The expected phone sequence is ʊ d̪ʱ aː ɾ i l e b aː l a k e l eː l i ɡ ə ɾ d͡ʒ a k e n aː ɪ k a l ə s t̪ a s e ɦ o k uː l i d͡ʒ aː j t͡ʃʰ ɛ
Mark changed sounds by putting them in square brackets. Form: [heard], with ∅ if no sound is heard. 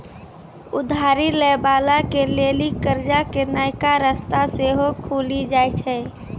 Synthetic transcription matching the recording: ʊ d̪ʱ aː ɾ i l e b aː l a k e l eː l i [k] ə ɾ d͡ʒ a k e n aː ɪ k a [ɾ] ə s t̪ a s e ɦ o [kʰ] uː l i d͡ʒ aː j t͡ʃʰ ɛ